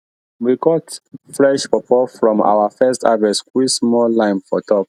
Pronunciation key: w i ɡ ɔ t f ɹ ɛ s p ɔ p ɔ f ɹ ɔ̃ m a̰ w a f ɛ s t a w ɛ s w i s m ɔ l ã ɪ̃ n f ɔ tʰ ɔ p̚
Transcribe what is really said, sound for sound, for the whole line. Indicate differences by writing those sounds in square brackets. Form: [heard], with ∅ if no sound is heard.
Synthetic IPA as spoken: w i ɡ ɔ t f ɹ ɛ [ʃ] p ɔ p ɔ f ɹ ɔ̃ m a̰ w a f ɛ s t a [v] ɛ s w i s m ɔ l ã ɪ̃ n f ɔ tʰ ɔ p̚